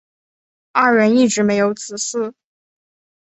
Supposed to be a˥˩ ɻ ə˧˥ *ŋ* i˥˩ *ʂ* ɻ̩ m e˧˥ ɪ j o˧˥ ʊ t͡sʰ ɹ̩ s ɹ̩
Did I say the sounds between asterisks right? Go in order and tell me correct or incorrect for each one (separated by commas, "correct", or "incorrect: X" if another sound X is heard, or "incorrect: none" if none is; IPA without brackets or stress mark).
incorrect: n, incorrect: ʈ͡ʂ